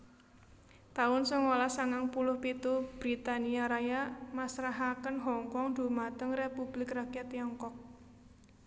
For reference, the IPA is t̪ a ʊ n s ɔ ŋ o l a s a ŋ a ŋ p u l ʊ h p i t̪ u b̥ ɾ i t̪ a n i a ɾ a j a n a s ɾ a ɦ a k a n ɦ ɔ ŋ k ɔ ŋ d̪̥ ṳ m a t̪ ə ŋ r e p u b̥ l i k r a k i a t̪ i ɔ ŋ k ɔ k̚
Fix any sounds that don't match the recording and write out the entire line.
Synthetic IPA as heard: t̪ a ʊ n s ɔ ŋ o l a s a ŋ a ŋ p u l ʊ h p i t̪ u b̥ ɾ i t̪ a n i a ɾ a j a m a s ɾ a ɦ a k ə n ɦ ɔ ŋ k ɔ ŋ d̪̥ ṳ m a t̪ ə ŋ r e p u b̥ l ɪ k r a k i a t̪ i ɔ ŋ k ɔ k̚